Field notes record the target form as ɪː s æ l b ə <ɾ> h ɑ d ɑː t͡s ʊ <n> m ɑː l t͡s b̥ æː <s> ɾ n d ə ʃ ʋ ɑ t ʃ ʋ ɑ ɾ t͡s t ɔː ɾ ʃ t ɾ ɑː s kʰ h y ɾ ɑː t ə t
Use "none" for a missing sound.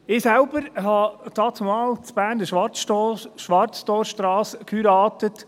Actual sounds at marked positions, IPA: ɾ, none, none

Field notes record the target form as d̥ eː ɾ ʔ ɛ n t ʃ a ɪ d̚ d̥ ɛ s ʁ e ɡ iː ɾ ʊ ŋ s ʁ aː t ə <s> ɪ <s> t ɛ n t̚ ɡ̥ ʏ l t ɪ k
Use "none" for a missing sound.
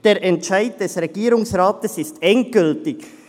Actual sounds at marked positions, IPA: s, s

